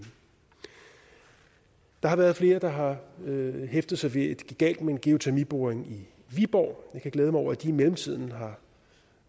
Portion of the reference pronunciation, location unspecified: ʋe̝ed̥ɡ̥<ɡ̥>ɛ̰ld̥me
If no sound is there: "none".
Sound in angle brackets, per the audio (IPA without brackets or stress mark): ɡ̥